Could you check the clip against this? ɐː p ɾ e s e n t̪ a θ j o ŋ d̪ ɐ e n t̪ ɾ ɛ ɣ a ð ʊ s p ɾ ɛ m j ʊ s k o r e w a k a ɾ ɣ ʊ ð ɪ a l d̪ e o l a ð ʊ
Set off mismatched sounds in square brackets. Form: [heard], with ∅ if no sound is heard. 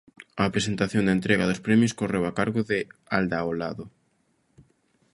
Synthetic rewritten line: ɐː p ɾ e s e n t̪ a θ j o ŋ d̪ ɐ e n t̪ ɾ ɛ ɣ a ð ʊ s p ɾ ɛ m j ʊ s k o r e w a k a ɾ ɣ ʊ ð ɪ a l d̪ [a] o l a ð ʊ